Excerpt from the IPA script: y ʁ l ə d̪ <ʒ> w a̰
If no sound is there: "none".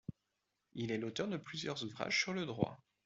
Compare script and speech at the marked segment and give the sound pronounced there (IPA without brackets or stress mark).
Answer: ʁ